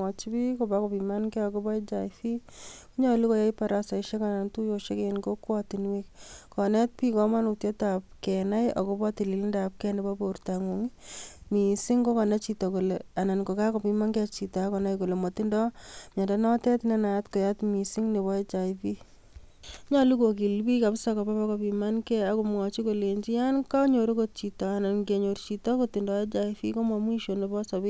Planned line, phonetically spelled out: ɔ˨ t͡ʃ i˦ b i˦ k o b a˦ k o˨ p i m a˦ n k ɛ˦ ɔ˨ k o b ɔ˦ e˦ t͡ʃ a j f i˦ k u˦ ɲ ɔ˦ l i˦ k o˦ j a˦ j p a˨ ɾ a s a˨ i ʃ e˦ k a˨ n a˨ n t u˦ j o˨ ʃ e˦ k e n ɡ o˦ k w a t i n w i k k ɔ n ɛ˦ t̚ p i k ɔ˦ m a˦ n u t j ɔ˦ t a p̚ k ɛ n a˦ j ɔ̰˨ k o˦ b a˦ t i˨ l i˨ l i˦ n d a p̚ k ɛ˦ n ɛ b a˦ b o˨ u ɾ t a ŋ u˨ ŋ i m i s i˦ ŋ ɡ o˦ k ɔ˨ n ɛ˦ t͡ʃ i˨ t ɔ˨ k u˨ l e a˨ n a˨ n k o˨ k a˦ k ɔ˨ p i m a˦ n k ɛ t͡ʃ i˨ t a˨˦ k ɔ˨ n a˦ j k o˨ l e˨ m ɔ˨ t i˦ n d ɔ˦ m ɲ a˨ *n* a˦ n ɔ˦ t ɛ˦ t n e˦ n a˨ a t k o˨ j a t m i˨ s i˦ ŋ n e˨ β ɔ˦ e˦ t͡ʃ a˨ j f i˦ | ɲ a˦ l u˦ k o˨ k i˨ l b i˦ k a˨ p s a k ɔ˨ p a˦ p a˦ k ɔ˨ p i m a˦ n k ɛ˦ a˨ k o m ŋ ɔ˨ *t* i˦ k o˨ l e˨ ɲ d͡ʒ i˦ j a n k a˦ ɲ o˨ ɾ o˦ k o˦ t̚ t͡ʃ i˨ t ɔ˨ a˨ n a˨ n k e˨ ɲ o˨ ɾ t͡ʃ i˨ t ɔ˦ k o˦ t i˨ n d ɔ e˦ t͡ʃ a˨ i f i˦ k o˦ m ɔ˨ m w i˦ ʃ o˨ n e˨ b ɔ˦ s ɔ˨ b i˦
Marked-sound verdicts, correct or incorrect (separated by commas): incorrect, incorrect